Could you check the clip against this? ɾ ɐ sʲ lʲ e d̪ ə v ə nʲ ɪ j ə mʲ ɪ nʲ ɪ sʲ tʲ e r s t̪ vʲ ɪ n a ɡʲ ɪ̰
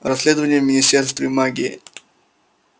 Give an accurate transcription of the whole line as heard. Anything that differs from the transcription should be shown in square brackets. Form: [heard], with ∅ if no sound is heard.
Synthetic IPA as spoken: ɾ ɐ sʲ lʲ e d̪ ə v ə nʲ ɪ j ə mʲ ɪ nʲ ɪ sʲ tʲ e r s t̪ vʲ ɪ [m] a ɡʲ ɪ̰